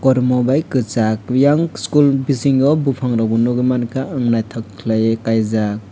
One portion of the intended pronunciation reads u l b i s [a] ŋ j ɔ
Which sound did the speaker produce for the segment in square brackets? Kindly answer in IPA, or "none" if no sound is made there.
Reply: i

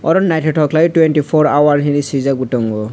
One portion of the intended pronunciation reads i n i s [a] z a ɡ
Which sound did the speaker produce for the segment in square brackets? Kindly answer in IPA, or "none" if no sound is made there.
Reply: i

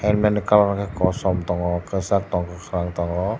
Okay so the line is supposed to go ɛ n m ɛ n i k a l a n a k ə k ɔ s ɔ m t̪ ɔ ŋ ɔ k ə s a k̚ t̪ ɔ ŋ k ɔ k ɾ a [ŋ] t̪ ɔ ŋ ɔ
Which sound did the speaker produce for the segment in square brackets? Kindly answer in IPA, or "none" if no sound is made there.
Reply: ŋ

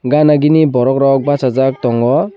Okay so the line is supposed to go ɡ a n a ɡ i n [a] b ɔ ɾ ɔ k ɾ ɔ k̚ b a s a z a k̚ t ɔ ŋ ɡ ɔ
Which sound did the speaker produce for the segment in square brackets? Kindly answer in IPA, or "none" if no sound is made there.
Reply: i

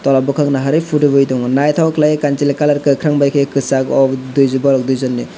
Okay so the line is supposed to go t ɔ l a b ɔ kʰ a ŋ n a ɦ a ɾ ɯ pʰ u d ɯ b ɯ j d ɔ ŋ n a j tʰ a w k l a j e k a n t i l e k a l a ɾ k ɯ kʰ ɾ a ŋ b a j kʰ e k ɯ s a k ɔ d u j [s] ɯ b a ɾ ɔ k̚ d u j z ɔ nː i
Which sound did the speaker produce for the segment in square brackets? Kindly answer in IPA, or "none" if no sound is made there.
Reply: z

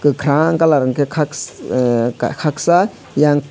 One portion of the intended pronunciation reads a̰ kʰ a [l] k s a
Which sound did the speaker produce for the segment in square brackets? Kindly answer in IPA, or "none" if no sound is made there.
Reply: none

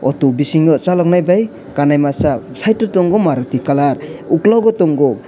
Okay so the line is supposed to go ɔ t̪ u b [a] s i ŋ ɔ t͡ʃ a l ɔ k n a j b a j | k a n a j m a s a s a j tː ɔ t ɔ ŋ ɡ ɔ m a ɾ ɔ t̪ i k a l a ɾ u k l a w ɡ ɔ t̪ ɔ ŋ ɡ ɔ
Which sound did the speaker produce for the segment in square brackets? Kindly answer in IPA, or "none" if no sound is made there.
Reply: i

